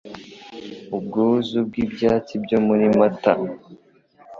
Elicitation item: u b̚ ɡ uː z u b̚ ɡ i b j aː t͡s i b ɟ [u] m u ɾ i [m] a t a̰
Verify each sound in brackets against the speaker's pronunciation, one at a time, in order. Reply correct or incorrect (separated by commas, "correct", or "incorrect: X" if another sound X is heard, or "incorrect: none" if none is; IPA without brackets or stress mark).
incorrect: o, correct